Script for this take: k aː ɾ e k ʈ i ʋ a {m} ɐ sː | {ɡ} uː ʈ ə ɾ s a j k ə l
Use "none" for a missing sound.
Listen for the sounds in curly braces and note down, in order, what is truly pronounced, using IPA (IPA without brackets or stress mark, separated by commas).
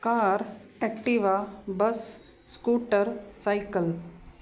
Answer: b, k